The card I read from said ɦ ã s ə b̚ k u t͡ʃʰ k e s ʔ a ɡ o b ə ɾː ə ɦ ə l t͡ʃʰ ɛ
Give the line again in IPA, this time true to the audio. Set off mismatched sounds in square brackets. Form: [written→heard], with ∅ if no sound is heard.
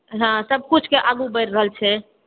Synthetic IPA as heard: ɦ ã s ə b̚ k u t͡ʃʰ k e [s→∅] ʔ a ɡ [o→u] b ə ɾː ə ɦ ə l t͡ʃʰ ɛ